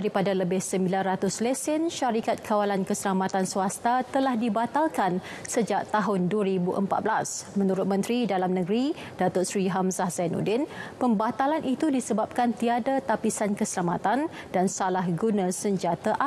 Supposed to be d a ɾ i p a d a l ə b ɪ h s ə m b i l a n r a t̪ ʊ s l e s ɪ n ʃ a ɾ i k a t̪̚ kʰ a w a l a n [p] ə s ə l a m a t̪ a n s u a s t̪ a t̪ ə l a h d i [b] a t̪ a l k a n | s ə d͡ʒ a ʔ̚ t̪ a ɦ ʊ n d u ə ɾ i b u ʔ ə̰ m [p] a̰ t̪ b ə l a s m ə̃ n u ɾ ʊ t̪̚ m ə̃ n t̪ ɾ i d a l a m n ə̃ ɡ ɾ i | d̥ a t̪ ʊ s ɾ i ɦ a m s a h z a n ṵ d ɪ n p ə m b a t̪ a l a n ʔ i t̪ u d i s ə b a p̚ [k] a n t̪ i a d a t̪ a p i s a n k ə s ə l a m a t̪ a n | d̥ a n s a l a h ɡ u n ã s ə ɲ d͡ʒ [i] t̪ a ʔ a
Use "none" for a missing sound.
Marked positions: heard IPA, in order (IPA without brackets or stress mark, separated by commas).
k, b, p, k, a